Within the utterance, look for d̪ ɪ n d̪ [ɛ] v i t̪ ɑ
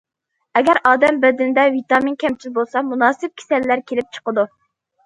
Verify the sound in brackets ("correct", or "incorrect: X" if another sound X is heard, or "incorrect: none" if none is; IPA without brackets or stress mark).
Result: correct